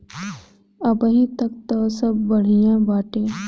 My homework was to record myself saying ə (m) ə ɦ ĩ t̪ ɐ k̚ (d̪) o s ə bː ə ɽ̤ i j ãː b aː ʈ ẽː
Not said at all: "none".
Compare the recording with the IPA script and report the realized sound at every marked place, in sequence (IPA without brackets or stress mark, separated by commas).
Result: b, t̪